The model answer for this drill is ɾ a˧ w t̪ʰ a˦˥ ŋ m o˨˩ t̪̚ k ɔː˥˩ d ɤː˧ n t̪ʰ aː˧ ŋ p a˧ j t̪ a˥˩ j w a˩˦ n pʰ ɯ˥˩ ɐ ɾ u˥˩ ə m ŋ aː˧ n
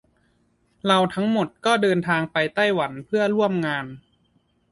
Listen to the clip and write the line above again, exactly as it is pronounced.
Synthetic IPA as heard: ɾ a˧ w t̪ʰ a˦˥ ŋ m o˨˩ t̪̚ k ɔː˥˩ d ɤː˧ n t̪ʰ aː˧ ŋ p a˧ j t̪ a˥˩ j w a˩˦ n pʰ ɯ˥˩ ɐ ɾ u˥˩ ə m ŋ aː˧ n